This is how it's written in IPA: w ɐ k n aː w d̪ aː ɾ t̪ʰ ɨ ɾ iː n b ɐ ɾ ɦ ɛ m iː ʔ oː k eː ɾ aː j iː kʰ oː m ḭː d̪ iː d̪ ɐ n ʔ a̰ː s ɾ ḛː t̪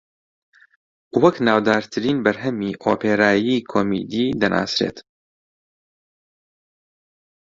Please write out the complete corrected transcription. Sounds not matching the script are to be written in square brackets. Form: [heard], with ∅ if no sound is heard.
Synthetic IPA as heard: w ɐ k n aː w d̪ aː ɾ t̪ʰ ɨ ɾ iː n b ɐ ɾ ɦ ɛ m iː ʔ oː [p] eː ɾ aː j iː kʰ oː m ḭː d̪ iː d̪ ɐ n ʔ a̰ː s ɾ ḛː t̪